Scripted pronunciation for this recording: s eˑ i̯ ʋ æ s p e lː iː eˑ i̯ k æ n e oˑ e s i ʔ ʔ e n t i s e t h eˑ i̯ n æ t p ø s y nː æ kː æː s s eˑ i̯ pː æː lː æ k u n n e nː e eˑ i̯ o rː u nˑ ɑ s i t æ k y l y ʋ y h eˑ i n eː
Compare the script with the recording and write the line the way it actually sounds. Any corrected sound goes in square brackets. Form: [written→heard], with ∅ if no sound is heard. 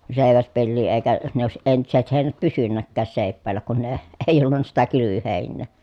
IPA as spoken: s eˑ i̯ ʋ æ s p e lː iː eˑ i̯ k æ n e oˑ e s i ʔ ʔ e n t i s e t h eˑ i̯ n æ t p [ø→y] s y nː æ kː æː s s eˑ i̯ pː æː lː æ k u n n e [nː→∅] e eˑ i̯ o [rː→lː] u nˑ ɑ s i t æ k y l y ʋ y h eˑ i [n→nː] eː